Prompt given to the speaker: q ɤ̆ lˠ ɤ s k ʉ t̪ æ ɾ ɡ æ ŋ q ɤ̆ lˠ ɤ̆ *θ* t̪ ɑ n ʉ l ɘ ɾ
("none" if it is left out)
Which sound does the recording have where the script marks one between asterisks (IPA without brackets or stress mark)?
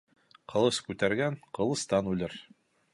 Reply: s